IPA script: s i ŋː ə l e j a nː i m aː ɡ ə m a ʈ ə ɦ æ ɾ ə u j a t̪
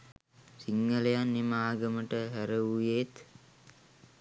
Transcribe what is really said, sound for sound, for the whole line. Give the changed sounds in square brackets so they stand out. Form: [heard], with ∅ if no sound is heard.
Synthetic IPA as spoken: s i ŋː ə l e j a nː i m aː ɡ ə m [ə] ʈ ə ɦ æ ɾ ə u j [e] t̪